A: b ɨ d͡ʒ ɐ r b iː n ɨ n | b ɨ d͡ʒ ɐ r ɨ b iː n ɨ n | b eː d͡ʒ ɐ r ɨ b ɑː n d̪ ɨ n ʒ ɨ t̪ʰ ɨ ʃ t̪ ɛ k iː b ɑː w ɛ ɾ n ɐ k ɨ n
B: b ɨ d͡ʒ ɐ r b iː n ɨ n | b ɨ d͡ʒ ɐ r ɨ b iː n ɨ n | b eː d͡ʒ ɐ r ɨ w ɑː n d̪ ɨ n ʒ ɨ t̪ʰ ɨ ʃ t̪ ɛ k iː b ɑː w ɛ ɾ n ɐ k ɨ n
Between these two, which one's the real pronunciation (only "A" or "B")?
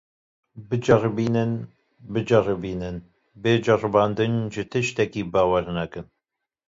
A